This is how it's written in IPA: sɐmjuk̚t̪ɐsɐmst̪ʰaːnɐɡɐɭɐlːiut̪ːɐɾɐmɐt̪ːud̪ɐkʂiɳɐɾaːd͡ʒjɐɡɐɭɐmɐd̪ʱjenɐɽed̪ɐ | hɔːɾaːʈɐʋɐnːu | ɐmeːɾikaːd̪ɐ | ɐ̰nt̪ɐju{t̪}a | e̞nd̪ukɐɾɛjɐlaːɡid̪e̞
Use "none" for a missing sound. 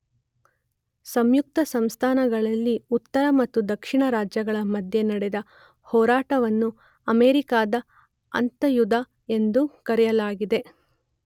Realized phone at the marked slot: d̪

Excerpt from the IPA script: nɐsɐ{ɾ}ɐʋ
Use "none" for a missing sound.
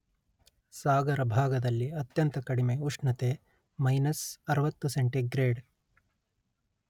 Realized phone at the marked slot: ɾ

